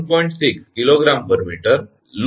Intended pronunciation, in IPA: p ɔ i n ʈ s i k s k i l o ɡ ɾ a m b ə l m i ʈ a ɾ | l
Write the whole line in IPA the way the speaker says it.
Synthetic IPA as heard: p ɔ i ɳ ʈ s i k s k i l o ɡ ɾ a m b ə ɾ m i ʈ ə ɾ | l